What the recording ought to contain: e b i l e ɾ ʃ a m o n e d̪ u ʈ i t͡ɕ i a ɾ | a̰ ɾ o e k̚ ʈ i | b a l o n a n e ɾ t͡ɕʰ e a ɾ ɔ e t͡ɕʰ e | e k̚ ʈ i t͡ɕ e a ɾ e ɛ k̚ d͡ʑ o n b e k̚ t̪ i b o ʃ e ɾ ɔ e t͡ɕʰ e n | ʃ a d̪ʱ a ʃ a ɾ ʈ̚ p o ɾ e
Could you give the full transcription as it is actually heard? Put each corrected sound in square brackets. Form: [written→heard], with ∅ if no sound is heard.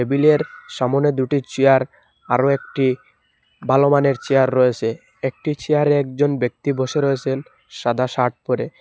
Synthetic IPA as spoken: e b i l e ɾ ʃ a m o n e d̪ u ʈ i t͡ɕ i a ɾ | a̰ ɾ o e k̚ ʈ i | b a l o [n→m] a n e ɾ [t͡ɕʰ→t͡ɕ] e a [ɾ→ɾː] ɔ e t͡ɕʰ e | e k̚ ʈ i t͡ɕ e a ɾ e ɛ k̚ d͡ʑ o n b e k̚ t̪ i b o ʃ e ɾ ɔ e t͡ɕʰ e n | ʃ a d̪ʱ a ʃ a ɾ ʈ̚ p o ɾ e